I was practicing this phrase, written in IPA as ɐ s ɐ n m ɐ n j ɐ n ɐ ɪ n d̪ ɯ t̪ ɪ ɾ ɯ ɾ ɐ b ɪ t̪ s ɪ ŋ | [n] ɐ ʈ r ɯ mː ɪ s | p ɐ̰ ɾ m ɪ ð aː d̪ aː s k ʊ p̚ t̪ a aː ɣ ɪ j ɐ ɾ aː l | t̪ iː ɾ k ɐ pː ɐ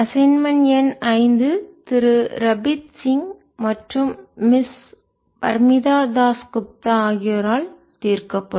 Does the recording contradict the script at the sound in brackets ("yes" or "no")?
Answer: yes